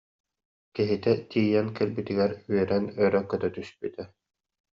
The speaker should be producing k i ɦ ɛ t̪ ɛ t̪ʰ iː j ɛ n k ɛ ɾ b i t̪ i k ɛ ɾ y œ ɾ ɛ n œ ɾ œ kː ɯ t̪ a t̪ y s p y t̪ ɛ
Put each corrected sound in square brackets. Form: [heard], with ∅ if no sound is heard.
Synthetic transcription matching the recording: k i ɦ [i] t̪ ɛ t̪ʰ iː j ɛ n k ɛ [l] b i t̪ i [ɡ] ɛ ɾ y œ ɾ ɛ n œ ɾ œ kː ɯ t̪ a t̪ y s p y t̪ ɛ